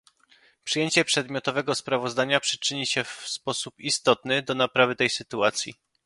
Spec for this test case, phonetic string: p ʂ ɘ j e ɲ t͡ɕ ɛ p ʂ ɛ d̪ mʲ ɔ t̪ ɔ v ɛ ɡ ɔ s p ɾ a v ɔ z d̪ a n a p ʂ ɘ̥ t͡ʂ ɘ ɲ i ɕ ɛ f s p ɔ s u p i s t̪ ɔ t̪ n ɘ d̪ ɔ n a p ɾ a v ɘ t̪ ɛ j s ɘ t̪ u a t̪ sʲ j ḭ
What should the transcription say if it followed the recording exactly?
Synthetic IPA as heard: p ʂ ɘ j e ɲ t͡ɕ ɛ p ʂ ɛ d̪ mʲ ɔ t̪ ɔ v ɛ ɡ ɔ s p ɾ a v ɔ z d̪ a ɲ a p ʂ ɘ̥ t͡ʂ ɘ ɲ i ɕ ɛ f s p ɔ s u p i s t̪ ɔ t̪ n ɘ d̪ ɔ n a p ɾ a v ɘ t̪ ɛ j s ɘ t̪ u a t̪ sʲ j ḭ